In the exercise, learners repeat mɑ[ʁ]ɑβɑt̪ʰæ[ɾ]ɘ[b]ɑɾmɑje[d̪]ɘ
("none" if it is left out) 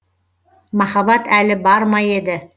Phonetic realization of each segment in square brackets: χ, l, b, d̪

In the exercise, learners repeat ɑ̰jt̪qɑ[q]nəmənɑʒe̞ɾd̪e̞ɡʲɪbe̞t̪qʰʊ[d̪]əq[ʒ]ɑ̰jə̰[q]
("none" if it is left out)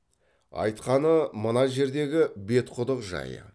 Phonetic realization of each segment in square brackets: none, d̪, ʒ, none

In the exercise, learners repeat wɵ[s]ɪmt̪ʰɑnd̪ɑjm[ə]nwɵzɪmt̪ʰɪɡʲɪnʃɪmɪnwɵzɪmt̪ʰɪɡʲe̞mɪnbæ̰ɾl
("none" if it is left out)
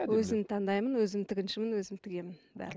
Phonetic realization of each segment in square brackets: z, ə

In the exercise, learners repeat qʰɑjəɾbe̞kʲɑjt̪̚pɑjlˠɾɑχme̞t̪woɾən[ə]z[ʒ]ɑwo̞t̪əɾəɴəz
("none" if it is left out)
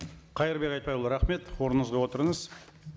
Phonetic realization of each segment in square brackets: ə, ʁ

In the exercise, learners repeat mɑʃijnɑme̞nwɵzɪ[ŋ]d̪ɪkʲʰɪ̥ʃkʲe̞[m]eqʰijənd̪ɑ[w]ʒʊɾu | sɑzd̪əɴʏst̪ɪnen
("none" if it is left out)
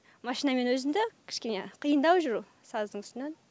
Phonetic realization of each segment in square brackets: m, n, w

